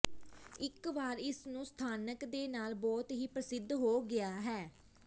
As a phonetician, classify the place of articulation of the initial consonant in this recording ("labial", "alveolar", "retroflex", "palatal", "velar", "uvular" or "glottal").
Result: velar